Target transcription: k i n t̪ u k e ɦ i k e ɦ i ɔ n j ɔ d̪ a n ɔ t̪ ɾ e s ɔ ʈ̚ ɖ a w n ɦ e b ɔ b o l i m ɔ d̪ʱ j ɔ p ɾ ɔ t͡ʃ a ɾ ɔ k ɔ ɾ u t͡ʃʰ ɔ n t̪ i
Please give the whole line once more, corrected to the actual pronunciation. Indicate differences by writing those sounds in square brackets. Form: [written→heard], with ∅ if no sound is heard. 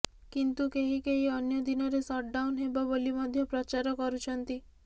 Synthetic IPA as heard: k i n t̪ u k e ɦ i k e ɦ i ɔ n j ɔ d̪ [a→i] n ɔ [t̪→∅] ɾ e s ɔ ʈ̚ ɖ a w n ɦ e b ɔ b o l i m ɔ d̪ʱ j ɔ p ɾ ɔ t͡ʃ a ɾ ɔ k ɔ ɾ u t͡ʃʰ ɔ n t̪ i

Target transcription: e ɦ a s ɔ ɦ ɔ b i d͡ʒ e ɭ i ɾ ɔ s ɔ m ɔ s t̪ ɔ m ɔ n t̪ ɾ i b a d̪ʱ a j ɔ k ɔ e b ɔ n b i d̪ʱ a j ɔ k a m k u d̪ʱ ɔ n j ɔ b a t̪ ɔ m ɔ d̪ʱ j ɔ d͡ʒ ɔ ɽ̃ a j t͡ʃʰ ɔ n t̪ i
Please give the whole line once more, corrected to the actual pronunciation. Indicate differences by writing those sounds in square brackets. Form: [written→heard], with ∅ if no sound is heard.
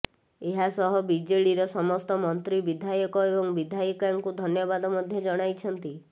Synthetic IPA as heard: e ɦ a s ɔ ɦ ɔ b i d͡ʒ e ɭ i ɾ ɔ s ɔ m ɔ s t̪ ɔ m ɔ n t̪ ɾ i b [a→i] d̪ʱ a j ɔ k ɔ e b ɔ [n→ŋ] b i d̪ʱ a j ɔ k a [m→ŋ] k u d̪ʱ ɔ n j ɔ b a [t̪→d̪] ɔ m ɔ d̪ʱ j ɔ d͡ʒ ɔ ɽ̃ a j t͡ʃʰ ɔ n t̪ i

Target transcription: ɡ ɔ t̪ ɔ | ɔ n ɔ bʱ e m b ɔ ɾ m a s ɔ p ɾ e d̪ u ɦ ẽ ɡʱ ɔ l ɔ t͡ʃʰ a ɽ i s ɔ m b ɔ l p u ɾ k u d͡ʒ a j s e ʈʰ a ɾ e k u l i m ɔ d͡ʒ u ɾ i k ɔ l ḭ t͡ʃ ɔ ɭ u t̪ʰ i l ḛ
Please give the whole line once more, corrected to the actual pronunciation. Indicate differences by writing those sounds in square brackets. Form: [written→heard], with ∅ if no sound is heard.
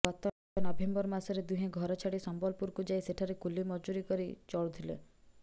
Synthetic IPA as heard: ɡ ɔ t̪ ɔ | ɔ n ɔ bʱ e m b ɔ ɾ m a s ɔ [p→∅] ɾ e d̪ u ɦ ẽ ɡʱ ɔ [l→ɾ] ɔ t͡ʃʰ a ɽ i s ɔ m b ɔ l p u ɾ k u d͡ʒ a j s e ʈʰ a ɾ e k u l i m ɔ d͡ʒ u ɾ i k ɔ [l→ɾ] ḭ t͡ʃ ɔ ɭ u t̪ʰ i l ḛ

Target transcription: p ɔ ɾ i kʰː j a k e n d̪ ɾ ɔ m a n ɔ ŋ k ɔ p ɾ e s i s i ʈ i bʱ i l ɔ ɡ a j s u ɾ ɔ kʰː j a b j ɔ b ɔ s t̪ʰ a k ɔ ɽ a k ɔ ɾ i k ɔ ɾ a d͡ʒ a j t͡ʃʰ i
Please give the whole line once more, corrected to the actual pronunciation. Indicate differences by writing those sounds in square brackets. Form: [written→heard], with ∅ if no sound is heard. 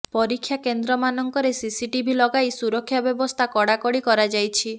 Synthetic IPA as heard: p ɔ ɾ i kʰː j a k e n d̪ ɾ ɔ m a n ɔ ŋ k ɔ [p→∅] ɾ e s i s i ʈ i bʱ i l ɔ ɡ a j s u ɾ ɔ kʰː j a b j ɔ b ɔ s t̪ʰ a k ɔ ɽ a k ɔ [ɾ→ɽ] i k ɔ ɾ a d͡ʒ a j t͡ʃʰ i

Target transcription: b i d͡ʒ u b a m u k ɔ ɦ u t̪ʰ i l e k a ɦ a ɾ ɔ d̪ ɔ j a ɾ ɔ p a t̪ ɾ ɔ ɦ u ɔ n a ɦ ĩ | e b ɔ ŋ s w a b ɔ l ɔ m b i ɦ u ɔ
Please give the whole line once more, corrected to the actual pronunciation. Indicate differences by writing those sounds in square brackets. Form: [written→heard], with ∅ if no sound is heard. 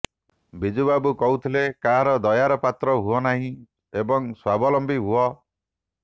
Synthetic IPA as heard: b i d͡ʒ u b a [m→b] u k ɔ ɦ u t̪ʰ i l e k a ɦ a ɾ ɔ d̪ ɔ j a ɾ ɔ p a t̪ ɾ ɔ ɦ u ɔ n a ɦ ĩ | e b ɔ ŋ s w a b ɔ l ɔ m b i ɦ u ɔ

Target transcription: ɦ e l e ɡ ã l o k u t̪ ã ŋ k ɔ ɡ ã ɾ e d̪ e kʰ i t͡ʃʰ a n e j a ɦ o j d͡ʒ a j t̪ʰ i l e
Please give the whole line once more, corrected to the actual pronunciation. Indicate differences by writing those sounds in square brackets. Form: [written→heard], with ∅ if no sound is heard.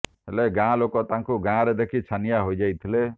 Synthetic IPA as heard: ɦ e l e ɡ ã l o k [u→ɔ] t̪ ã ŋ k [ɔ→u] ɡ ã ɾ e d̪ e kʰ i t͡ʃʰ a n [e→i] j a ɦ o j d͡ʒ a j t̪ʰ i l e

